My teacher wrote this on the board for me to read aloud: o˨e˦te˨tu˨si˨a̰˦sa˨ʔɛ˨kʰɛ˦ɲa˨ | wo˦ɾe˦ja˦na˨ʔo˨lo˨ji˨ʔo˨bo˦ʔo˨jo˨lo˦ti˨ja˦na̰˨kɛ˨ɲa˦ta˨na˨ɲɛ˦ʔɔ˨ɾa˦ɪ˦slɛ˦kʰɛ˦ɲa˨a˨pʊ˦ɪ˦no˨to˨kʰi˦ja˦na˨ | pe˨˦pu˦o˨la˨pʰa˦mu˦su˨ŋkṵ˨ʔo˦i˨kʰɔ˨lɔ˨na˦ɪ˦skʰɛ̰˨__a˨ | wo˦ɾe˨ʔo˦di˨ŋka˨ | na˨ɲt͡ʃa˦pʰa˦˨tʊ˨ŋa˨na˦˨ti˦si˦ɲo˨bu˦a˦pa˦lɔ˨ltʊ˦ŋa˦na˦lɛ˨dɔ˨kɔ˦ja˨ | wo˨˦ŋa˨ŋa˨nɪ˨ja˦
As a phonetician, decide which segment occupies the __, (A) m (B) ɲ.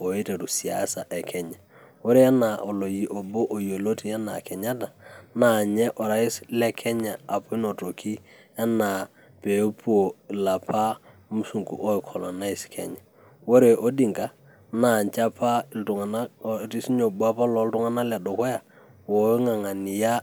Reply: B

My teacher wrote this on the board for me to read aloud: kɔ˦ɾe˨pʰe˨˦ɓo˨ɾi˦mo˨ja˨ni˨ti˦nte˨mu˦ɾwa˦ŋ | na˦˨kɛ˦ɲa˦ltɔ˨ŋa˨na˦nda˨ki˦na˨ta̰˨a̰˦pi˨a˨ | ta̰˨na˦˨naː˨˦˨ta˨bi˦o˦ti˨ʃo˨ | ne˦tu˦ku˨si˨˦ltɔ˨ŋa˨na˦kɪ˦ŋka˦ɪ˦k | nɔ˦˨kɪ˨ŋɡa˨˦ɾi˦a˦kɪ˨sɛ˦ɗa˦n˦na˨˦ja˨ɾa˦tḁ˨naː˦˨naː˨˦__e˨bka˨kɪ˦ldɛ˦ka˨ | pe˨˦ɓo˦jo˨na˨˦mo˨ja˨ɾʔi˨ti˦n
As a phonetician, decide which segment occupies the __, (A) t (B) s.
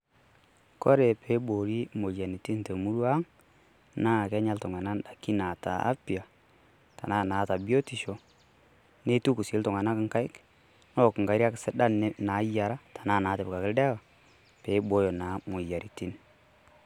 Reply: A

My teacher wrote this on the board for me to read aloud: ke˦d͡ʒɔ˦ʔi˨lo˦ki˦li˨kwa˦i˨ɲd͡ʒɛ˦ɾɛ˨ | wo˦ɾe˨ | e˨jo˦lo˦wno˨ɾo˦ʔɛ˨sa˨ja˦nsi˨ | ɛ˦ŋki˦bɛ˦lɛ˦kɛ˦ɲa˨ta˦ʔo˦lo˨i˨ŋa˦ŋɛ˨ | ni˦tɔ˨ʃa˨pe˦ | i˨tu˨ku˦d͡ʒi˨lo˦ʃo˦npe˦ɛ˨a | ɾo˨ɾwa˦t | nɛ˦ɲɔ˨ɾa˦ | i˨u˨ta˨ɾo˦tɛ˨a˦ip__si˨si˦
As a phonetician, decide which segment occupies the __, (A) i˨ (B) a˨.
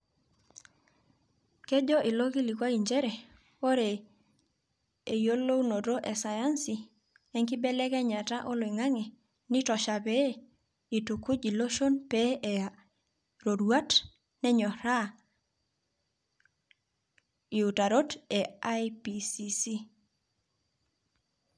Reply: A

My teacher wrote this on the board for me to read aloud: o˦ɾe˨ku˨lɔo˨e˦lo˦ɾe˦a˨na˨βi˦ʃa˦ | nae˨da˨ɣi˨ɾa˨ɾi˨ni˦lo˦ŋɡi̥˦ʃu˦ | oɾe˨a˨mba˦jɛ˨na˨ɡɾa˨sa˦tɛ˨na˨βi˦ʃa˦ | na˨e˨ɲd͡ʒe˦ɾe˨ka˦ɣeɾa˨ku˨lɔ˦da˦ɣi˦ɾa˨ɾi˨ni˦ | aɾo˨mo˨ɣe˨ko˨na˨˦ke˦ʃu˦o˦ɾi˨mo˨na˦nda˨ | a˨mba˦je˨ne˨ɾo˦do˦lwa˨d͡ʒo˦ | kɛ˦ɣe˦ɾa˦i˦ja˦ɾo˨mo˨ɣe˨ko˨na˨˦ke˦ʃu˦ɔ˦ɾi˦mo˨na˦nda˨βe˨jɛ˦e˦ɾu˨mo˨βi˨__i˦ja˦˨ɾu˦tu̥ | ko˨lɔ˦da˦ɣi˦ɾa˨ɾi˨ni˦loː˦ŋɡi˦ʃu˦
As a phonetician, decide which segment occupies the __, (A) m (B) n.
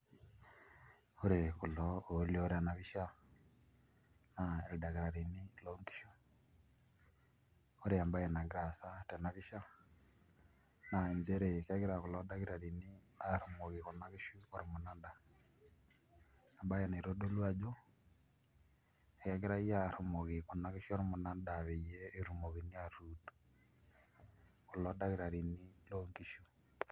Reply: B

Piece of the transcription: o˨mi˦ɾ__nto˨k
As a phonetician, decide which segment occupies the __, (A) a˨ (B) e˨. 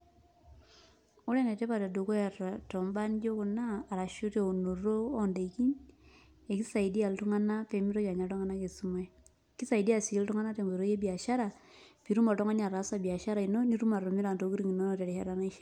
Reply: A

